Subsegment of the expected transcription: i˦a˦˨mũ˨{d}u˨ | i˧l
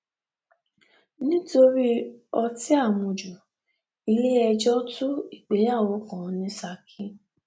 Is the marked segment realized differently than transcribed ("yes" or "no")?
yes